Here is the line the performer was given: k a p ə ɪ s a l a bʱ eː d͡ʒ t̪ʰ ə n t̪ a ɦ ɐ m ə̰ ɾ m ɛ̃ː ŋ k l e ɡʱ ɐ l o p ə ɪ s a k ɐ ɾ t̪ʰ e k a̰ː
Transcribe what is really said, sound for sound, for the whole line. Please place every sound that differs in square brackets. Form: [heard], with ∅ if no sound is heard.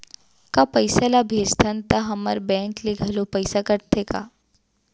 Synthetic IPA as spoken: k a p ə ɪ s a l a bʱ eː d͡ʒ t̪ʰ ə n t̪ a ɦ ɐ m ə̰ ɾ [b] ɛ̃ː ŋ k l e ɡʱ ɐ l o p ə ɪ s a k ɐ ɾ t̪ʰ e k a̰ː